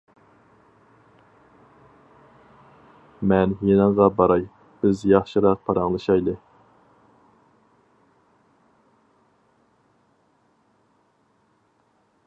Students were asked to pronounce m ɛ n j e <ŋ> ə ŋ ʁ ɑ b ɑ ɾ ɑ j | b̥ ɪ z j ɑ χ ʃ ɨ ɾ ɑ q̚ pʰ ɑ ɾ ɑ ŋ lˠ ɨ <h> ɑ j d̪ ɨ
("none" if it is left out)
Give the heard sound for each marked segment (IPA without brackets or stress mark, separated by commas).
n, ʃ